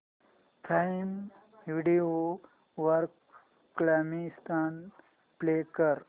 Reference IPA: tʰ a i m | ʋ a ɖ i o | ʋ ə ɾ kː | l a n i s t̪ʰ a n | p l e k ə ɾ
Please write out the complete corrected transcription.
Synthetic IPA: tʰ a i m | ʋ i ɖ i o | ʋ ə ɾ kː | l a m i s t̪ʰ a n | p l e k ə ɾ